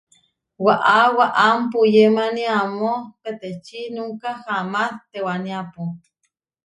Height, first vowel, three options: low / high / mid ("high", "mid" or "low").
low